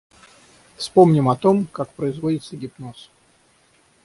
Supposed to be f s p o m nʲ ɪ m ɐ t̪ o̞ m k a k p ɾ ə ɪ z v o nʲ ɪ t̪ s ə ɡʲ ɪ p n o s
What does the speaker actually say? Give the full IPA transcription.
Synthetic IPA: f s p o m nʲ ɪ m ɐ t̪ o̞ m k a k p ɾ ə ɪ z v o dʲ ɪ t̪ s ə ɡʲ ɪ p n o s

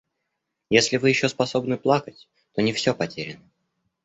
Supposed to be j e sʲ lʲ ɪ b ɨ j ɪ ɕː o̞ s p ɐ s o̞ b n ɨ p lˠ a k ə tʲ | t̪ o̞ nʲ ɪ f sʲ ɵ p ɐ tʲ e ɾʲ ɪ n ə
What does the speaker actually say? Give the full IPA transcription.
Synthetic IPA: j e sʲ lʲ ɪ v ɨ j ɪ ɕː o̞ s p ɐ s o̞ b n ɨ p lˠ a k ə tʲ | t̪ o̞ nʲ ɪ f sʲ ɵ p ɐ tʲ e ɾʲ ɪ n ə

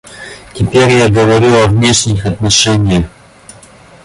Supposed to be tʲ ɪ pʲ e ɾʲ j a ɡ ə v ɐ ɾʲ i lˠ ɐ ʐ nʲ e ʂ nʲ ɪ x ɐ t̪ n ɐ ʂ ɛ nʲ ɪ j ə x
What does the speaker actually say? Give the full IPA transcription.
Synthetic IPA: tʲ ɪ pʲ e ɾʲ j a ɡ ə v ɐ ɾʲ i lˠ ɐ v nʲ e ʂ nʲ ɪ x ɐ t̪ n ɐ ʂ ɛ nʲ ɪ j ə x

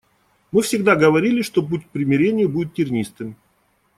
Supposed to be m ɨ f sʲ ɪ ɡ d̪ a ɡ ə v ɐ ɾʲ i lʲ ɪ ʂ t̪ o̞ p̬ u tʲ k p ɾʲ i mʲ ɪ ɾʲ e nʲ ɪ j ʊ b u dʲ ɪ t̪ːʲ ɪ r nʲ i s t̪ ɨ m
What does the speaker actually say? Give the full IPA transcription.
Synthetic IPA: m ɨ f sʲ ɪ ɡ d̪ a ɡ ə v ɐ ɾʲ i lʲ ɪ ʂ t̪ o̞ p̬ u tʲ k p ɾʲ ɪ mʲ ɪ ɾʲ e nʲ ɪ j ʊ b u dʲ ɪ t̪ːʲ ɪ r nʲ i s t̪ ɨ m

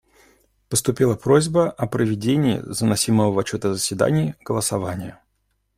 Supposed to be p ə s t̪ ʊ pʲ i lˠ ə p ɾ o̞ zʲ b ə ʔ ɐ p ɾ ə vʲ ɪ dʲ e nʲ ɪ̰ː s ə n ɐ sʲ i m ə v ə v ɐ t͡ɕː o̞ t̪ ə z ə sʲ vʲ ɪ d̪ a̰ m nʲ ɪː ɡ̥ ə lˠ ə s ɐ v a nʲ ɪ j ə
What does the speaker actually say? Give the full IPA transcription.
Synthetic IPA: p ə s t̪ ʊ pʲ i lˠ ə p ɾ o̞ zʲ b ə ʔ ɐ p ɾ ə vʲ ɪ dʲ e nʲ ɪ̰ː z ə n ɐ sʲ i m ə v ə v ɐ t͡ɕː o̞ t̪ ə z ə sʲ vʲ ɪ d̪ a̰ nʲ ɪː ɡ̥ ə lˠ ə s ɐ v a nʲ ɪ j ə

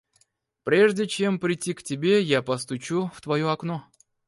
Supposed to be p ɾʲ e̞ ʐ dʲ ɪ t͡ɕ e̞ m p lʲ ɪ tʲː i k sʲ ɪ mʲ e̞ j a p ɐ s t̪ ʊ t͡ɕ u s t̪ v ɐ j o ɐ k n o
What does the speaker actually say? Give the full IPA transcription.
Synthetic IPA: p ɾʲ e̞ ʐ dʲ ɪ t͡ɕ e̞ m p ɾʲ ɪ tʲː i k tʲ ɪ bʲ e̞ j a p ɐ s t̪ ʊ t͡ɕ u f t̪ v ɐ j o ɐ k n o

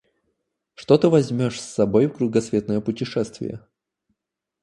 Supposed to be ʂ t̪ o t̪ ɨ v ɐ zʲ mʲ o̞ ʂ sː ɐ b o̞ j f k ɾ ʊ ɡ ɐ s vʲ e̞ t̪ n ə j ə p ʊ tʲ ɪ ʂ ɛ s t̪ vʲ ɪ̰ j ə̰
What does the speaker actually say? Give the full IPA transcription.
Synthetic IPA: ʂ t̪ o t̪ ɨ v ɐ zʲ mʲ o̞ ʂ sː ɐ b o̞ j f k ɾ ʊ ɡ ɐ s vʲ e̞ t̪ n ə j ə p ʊ tʲ ɪ ʂ ɛ s t̪ vʲ ɪ̰ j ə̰

